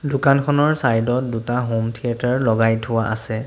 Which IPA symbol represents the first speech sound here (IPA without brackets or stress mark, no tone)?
d